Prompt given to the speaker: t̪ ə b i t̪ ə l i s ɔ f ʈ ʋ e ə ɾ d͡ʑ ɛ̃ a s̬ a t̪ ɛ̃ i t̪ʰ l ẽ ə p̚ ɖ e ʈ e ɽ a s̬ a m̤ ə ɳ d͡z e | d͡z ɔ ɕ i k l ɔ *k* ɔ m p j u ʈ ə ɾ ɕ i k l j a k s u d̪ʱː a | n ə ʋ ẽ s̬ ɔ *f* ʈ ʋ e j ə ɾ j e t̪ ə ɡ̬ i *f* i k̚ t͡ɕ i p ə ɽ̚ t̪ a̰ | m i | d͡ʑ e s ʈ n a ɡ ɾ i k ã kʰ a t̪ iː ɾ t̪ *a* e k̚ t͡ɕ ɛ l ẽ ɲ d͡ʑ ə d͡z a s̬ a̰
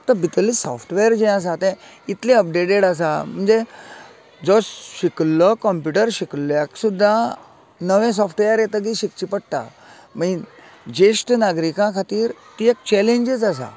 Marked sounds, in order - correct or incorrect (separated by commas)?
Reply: correct, correct, incorrect, incorrect